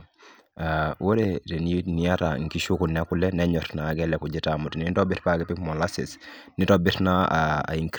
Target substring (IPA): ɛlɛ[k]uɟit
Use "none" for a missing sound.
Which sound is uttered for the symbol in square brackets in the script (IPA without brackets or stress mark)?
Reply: k